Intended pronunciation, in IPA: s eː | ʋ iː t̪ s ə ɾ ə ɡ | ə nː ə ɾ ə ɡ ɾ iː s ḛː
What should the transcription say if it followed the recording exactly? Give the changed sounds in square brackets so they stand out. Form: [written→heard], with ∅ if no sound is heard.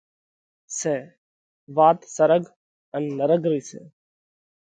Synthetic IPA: s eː | ʋ [iː→aː] t̪ s ə ɾ ə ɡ | ə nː ə ɾ ə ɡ ɾ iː s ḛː